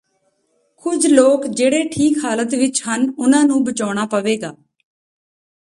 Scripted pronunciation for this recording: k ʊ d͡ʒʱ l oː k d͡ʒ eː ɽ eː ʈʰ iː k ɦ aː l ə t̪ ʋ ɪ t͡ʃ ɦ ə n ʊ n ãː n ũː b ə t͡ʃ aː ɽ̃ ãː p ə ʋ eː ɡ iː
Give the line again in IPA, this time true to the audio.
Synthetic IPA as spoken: k ʊ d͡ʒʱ l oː k d͡ʒ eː ɽ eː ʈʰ iː k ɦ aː l ə t̪ ʋ ɪ t͡ʃ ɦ ə n ʊ n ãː n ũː b ə t͡ʃ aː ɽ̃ aː p ə ʋ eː ɡ aː